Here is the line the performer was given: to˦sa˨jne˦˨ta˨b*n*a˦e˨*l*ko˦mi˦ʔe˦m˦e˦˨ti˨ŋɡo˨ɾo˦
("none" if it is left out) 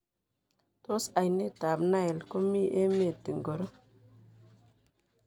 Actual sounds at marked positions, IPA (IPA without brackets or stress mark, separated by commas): n, l